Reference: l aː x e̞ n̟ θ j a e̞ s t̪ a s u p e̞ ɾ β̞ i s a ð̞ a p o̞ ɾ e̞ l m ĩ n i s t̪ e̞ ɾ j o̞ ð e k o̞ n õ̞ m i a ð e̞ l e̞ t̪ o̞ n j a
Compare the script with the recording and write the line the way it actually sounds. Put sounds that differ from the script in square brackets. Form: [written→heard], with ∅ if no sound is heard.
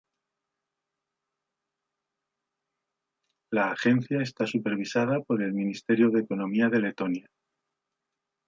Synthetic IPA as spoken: l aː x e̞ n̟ θ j a e̞ s t̪ a s u p e̞ ɾ β̞ i s a ð̞ a p o̞ ɾ e̞ l m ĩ n i s t̪ e̞ ɾ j o̞ ð e k o̞ n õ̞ m i a ð e̞ l e̞ t̪ o̞ n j a

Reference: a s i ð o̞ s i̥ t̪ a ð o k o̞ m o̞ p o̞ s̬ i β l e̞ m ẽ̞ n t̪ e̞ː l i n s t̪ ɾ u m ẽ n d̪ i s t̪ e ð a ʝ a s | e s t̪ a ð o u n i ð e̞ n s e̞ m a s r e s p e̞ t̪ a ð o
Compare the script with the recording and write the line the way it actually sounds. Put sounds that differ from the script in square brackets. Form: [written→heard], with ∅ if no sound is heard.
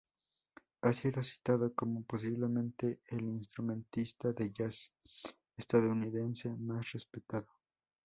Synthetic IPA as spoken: a s i ð o̞ s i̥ t̪ a ð o k o̞ m o̞ p o̞ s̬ i β l e̞ m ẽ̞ n t̪ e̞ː l i n s t̪ ɾ u m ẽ n [d̪→t̪] i s t̪ [e→a] ð [a→e] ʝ a s | e s t̪ a ð o u n i ð e̞ n s e̞ m a s r e s p e̞ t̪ a ð o

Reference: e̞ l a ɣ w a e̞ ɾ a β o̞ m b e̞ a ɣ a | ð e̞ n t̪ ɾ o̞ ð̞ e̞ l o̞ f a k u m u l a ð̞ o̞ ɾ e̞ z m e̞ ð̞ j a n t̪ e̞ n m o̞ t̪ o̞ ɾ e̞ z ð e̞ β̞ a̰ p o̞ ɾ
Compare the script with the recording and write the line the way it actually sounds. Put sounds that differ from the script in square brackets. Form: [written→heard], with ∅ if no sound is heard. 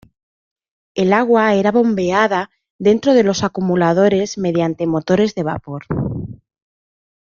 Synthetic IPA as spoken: e̞ l a ɣ w a e̞ ɾ a β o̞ m b e̞ a [ɣ→ð] a | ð e̞ n t̪ ɾ o̞ ð̞ e̞ l o̞ [f→s] a k u m u l a ð̞ o̞ ɾ e̞ z m e̞ ð̞ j a n t̪ e̞ [n→∅] m o̞ t̪ o̞ ɾ e̞ z ð e̞ β̞ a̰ p o̞ ɾ

